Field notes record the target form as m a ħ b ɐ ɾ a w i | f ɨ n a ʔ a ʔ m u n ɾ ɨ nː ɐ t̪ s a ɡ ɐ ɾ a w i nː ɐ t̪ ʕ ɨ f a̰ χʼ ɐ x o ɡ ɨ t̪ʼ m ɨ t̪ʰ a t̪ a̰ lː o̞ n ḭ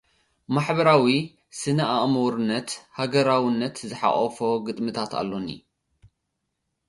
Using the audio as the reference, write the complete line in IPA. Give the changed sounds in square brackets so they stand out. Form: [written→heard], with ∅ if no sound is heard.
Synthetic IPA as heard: m a ħ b ɐ ɾ a w i | [f→s] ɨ n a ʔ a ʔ m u [n→∅] ɾ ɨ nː ɐ t̪ [s→h] a ɡ ɐ ɾ a w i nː ɐ t̪ [ʕ→z] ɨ [f→ħ] a̰ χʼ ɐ [x→f] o ɡ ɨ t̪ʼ m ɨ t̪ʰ a t̪ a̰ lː o̞ n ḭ